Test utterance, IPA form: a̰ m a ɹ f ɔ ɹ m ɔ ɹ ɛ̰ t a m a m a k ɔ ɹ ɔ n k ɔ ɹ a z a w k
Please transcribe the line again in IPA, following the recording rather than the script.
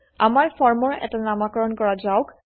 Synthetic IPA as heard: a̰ m a ɹ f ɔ ɹ m ɔ ɹ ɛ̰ t a n a m a k ɔ ɹ ɔ n k ɔ ɹ a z a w k